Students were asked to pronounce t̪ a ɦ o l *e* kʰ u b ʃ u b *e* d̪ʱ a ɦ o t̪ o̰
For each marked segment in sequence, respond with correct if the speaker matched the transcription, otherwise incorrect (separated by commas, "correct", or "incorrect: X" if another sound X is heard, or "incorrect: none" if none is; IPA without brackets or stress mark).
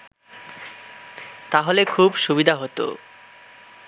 correct, incorrect: i